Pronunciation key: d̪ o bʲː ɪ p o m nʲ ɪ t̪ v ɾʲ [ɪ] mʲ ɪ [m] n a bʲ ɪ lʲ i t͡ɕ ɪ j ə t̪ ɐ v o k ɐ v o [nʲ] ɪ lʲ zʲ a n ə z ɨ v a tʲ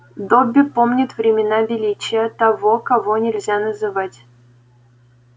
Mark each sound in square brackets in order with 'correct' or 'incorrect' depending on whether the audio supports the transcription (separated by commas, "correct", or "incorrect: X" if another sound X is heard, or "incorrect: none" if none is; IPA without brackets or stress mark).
correct, incorrect: none, correct